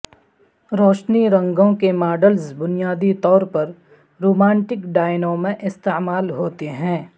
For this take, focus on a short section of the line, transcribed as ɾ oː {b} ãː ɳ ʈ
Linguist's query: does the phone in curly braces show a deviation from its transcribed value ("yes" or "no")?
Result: yes